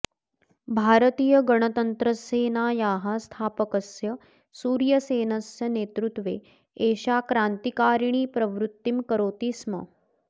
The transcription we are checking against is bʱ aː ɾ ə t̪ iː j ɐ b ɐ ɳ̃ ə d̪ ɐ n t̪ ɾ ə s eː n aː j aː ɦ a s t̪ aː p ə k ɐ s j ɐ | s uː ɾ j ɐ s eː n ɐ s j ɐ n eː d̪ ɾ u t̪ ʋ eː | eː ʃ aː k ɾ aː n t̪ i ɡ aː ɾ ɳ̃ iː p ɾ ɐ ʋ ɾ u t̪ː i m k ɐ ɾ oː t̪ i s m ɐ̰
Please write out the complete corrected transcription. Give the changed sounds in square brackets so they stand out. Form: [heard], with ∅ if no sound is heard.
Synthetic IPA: bʱ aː ɾ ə t̪ iː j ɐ [ɡ] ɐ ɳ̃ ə [t̪] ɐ n t̪ ɾ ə s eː n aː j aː ɦ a s [t̪ʰ] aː p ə k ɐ s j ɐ | s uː ɾ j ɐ s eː n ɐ s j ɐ n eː [t̪] ɾ u t̪ ʋ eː | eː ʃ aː k ɾ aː n t̪ i [k] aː ɾ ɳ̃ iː p ɾ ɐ ʋ ɾ u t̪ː i m k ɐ ɾ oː t̪ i s m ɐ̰